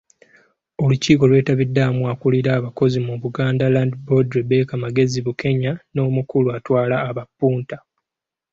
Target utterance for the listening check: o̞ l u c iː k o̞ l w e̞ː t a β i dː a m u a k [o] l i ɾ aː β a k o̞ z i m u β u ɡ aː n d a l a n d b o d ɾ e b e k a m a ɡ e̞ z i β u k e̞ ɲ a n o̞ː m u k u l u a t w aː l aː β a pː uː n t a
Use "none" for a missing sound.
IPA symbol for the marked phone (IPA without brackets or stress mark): u